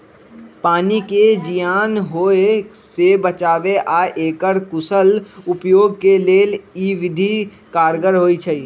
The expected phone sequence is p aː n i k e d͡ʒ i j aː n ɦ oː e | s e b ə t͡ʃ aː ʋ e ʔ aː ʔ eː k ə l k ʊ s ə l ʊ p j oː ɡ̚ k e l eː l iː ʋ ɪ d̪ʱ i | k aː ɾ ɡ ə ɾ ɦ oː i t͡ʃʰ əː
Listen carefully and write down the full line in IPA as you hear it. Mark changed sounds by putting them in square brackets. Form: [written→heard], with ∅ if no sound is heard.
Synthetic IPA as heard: p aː n i k e d͡ʒ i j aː n ɦ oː e | s e b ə t͡ʃ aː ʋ e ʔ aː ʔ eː k ə [l→ɾ] k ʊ s ə l ʊ p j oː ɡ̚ k e l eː l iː ʋ ɪ d̪ʱ i | k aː ɾ ɡ ə ɾ ɦ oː i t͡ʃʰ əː

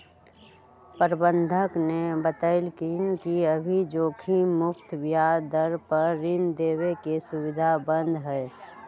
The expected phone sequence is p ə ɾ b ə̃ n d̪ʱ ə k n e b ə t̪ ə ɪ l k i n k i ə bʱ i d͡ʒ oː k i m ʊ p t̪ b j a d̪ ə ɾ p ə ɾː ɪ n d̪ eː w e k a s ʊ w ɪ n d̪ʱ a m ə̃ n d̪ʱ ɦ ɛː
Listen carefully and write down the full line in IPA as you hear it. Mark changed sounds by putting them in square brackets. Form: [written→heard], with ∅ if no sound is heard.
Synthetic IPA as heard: p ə ɾ b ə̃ n d̪ʱ ə k n e b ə t̪ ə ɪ l k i n k i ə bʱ i d͡ʒ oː [k→kʰ] i m ʊ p t̪ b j a d̪ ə ɾ p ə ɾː ɪ n d̪ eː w e k [a→e] s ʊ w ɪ [n→∅] d̪ʱ a [m→b] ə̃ n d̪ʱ ɦ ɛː

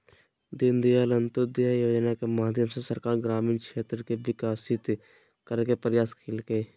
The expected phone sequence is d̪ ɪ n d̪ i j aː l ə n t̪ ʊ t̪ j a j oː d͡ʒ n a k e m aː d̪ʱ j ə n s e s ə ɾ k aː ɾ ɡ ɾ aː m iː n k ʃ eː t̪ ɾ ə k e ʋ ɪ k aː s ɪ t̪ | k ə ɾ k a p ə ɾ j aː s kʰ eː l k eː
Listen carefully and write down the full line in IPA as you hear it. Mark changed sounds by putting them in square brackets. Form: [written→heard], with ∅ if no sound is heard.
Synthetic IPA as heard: d̪ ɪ n d̪ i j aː l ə n t̪ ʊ [t̪→d̪] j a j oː d͡ʒ n a k e m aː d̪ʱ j ə [n→m] s e s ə ɾ k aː ɾ ɡ ɾ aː m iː n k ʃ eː t̪ ɾ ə k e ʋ ɪ k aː s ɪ t̪ | k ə ɾ k [a→e] p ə ɾ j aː s kʰ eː l k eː

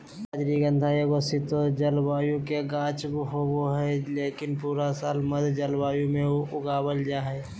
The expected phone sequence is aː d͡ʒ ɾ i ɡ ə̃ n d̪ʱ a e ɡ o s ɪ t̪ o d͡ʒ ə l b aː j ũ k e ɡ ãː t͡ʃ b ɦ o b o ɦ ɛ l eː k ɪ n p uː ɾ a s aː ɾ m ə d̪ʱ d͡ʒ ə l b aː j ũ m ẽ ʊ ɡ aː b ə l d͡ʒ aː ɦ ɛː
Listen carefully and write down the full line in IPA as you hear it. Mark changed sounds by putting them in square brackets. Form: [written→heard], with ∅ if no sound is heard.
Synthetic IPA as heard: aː d͡ʒ ɾ i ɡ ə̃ n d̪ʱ a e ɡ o s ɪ t̪ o d͡ʒ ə l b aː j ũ k e ɡ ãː t͡ʃ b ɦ o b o ɦ ɛ l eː k ɪ n p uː ɾ a s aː [ɾ→l] m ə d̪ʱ d͡ʒ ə l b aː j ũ m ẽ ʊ ɡ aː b ə l d͡ʒ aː ɦ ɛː

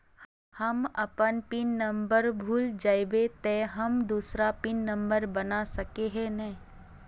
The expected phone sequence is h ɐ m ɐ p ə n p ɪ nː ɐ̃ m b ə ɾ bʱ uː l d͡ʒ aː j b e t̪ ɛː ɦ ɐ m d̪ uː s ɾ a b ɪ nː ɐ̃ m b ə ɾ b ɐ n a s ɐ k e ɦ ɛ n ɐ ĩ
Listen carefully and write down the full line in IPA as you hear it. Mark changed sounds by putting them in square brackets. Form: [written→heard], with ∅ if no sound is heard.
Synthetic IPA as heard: h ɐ m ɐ p ə n p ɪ nː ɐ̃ m b ə ɾ bʱ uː l d͡ʒ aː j b e t̪ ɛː ɦ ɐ m d̪ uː s ɾ a [b→p] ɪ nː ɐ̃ m b ə ɾ b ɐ n a s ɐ k e ɦ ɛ n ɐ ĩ

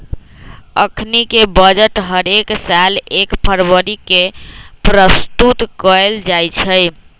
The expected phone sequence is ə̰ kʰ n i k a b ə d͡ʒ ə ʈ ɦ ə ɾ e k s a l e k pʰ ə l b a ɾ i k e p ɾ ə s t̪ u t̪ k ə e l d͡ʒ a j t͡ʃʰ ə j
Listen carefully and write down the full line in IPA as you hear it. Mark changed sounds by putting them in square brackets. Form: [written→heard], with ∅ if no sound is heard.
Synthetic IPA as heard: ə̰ kʰ n i k [a→e] b ə d͡ʒ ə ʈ ɦ ə ɾ e k s a l e k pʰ ə [l→ɾ] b [a→ə] ɾ i k e p ɾ ə s t̪ u t̪ k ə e l d͡ʒ a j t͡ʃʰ ə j

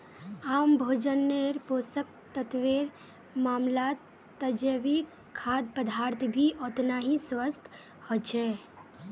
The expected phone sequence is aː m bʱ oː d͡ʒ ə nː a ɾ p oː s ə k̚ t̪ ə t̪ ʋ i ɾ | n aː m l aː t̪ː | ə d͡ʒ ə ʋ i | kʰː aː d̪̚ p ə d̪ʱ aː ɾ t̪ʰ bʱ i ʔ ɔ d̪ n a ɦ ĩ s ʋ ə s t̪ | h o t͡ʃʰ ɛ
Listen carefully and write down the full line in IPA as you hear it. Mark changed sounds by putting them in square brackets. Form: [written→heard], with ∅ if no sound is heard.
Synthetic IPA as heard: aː m bʱ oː d͡ʒ ə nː [a→e] ɾ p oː s ə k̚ t̪ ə t̪ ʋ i ɾ | [n→m] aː m l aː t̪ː | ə d͡ʒ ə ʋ i | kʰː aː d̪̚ p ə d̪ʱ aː ɾ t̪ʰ bʱ i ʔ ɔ [d̪→t̪] n a ɦ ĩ s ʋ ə s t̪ | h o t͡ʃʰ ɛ

